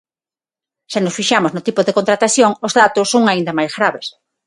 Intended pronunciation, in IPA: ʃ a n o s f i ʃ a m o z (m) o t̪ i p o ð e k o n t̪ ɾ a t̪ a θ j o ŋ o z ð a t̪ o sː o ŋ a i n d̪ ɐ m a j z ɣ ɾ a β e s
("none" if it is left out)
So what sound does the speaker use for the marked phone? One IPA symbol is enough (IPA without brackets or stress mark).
n